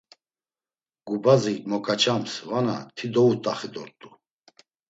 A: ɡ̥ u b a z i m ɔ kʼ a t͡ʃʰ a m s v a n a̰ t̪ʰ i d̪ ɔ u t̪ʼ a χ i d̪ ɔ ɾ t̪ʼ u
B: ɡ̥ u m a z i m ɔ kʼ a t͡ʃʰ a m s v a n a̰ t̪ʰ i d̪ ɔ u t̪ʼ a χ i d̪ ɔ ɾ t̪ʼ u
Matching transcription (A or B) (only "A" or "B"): A